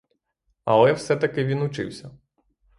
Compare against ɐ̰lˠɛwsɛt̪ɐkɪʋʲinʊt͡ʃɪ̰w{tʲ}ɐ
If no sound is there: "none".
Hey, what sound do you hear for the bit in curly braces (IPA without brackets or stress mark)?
sʲ